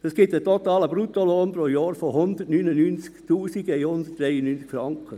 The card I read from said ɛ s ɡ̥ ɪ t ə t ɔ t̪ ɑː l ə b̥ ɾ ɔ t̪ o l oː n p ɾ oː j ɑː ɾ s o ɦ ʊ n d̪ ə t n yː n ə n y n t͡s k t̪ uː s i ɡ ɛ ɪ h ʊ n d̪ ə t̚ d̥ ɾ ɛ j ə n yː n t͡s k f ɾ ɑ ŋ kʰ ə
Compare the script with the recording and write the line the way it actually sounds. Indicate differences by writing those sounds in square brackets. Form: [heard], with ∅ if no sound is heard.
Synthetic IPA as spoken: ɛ s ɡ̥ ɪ t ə t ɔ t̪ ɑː l ə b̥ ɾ [u] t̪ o l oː n p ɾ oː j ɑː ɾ [f] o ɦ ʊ n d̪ ə t n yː n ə n y n t͡s k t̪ uː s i ɡ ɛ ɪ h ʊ n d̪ ə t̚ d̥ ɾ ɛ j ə n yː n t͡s k f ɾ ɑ ŋ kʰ ə